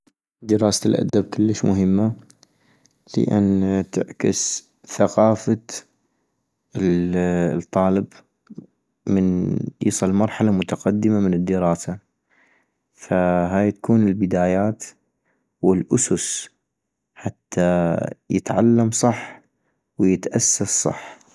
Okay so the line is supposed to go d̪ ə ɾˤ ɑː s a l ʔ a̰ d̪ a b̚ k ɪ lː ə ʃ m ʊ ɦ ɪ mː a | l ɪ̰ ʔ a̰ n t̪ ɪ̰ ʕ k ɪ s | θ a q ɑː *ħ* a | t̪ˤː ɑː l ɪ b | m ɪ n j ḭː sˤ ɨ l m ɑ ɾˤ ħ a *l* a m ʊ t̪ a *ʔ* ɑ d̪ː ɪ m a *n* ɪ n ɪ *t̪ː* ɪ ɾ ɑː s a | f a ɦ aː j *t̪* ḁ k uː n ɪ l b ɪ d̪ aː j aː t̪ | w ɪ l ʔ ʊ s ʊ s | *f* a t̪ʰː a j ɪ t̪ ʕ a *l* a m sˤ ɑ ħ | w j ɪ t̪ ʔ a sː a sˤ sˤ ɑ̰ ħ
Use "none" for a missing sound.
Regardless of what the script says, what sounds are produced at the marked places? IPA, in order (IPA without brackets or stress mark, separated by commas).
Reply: f, l, q, m, d̪ː, t̪, ħ, lː